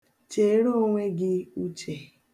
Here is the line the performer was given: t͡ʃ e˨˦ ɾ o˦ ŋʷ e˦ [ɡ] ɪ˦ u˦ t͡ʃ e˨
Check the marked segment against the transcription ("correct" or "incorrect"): correct